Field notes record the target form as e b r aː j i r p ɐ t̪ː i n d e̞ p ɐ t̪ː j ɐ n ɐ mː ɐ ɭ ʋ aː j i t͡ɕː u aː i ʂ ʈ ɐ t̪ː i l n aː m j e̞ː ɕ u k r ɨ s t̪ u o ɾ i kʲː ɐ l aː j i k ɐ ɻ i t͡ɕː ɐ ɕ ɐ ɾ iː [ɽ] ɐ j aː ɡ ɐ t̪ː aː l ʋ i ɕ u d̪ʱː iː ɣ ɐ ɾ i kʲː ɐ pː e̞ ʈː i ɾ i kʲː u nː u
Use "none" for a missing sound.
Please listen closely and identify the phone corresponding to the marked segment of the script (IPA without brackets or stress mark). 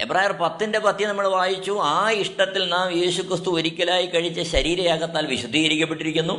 ɾ